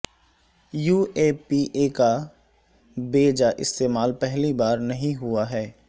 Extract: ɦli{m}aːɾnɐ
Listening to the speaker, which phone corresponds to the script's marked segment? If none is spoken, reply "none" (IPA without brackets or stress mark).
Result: b